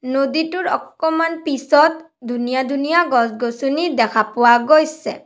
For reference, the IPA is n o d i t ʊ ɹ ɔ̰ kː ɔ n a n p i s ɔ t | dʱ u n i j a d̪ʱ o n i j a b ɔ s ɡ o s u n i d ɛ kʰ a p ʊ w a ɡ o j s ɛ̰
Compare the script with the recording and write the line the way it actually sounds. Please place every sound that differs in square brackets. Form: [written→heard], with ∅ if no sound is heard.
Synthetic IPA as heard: n o d i t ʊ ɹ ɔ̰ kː ɔ [n→m] a n p i s ɔ t | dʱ u n i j a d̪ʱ [o→u] n i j a [b→ɡ] ɔ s ɡ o s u n i d ɛ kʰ a p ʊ w a ɡ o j s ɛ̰